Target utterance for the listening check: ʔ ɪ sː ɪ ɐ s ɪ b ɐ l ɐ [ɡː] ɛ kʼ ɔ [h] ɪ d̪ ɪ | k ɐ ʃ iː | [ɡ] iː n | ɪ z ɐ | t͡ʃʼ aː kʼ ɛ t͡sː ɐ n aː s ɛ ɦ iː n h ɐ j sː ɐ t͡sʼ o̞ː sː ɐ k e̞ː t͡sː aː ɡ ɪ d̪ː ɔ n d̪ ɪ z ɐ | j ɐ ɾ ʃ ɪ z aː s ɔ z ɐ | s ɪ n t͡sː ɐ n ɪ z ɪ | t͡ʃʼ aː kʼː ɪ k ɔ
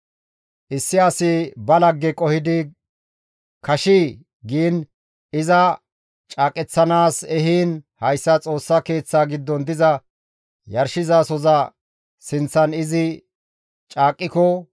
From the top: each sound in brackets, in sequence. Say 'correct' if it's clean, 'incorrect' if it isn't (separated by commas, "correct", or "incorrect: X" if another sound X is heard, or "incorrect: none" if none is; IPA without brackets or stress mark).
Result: correct, correct, correct